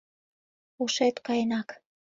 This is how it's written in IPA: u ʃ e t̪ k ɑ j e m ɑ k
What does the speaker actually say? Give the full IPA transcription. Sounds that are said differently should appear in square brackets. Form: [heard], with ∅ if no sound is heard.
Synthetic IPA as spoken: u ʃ e t̪ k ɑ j e [n] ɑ k

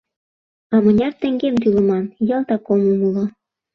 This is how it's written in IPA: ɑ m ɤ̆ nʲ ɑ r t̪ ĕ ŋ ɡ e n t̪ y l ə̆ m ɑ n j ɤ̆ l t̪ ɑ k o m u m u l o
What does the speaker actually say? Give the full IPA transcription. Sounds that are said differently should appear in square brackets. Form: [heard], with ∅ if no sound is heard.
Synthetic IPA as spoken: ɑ m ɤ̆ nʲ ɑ r t̪ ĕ ŋ ɡ e [m] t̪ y l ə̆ m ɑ n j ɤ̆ l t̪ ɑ k o m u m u l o

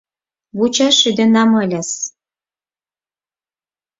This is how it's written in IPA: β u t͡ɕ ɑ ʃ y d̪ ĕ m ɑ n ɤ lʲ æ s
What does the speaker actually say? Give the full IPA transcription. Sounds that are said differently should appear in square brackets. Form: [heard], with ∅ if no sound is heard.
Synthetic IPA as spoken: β u t͡ɕ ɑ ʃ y d̪ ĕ [n] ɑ [m] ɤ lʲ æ s

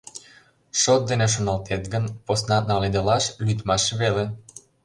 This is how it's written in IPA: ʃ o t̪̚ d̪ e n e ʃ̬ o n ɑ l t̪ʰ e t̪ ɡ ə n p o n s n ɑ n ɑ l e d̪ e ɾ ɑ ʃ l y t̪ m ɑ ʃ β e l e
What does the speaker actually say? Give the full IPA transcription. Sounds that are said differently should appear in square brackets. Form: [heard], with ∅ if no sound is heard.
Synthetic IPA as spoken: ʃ o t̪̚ d̪ e n e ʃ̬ o n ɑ l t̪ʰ e t̪ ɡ ə n p o [∅] s n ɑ n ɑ l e d̪ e [l] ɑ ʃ l y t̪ m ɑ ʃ β e l e

